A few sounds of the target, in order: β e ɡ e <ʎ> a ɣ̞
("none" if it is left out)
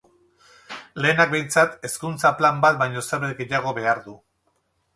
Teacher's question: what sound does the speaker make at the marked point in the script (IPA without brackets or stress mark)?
ʎ